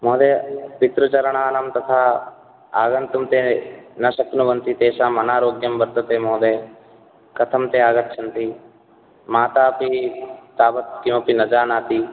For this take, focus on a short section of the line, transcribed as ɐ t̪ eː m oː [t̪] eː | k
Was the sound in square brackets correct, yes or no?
no